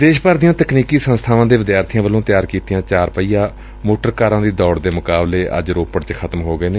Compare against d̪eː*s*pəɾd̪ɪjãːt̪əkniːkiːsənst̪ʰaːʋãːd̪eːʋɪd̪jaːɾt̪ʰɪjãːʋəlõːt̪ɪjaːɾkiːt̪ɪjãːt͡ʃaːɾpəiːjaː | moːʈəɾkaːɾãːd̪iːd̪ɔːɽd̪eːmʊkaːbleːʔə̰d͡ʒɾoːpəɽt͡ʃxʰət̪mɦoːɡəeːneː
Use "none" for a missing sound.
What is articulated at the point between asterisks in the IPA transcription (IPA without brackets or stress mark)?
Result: ʃ